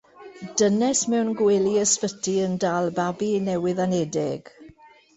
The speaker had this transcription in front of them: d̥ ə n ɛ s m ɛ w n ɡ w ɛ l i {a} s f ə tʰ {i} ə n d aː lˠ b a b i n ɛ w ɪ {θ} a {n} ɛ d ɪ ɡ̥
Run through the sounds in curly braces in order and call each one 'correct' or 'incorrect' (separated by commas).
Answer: incorrect, correct, incorrect, correct